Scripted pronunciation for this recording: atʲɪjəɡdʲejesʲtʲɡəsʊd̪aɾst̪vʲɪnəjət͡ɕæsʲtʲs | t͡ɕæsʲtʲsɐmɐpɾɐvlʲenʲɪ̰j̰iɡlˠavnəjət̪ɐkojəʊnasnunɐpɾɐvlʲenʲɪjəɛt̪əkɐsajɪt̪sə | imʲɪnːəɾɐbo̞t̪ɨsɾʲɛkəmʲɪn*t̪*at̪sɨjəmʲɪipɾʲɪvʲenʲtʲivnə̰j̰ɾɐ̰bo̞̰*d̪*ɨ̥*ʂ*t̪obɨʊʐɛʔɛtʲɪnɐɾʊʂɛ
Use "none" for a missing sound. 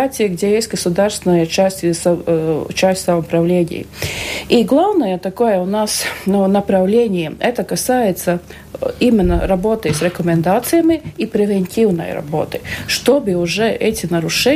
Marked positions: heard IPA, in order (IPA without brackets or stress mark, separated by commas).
d̪, t̪, ʂ